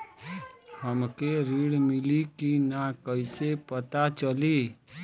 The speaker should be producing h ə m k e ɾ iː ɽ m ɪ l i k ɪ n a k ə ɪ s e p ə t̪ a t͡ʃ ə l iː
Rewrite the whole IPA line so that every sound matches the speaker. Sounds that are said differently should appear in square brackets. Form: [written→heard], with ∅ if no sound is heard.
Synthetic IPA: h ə m k e ɾ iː ɽ m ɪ l i k [ɪ→i] n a k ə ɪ s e p ə t̪ a t͡ʃ ə l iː